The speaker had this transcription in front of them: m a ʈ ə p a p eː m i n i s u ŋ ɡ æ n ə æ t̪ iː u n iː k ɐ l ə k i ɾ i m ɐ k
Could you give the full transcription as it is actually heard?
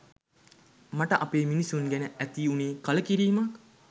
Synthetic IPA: m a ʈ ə ʔ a p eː m i n i s u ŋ ɡ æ n ə æ t̪ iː u n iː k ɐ l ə k i ɾ iː m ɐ k